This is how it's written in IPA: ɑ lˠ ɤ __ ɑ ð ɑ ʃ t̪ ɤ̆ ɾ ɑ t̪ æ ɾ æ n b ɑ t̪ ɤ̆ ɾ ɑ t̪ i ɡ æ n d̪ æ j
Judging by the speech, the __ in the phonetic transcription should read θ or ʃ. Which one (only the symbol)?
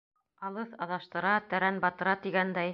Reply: θ